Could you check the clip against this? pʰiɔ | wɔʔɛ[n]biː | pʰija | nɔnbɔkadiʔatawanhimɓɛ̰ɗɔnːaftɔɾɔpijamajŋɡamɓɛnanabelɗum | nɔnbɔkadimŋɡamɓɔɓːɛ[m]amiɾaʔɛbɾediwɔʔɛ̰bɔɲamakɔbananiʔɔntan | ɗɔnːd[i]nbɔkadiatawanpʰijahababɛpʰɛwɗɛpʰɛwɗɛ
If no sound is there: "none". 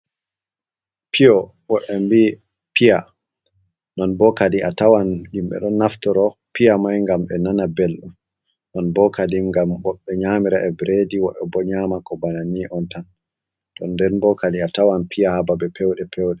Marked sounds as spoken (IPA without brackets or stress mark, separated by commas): m, ɲ, ɛ